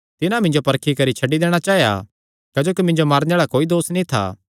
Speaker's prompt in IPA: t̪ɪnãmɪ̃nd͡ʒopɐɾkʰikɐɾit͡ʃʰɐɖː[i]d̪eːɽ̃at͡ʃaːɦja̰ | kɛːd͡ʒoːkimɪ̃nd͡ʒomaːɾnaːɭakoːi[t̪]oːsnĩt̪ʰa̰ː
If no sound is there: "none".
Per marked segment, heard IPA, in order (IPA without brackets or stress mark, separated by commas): i, d̪